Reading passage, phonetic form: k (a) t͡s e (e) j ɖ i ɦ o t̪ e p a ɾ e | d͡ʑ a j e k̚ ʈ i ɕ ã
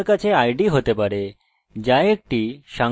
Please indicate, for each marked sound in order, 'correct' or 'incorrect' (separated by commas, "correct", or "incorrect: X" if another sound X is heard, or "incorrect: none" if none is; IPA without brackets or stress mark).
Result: correct, incorrect: a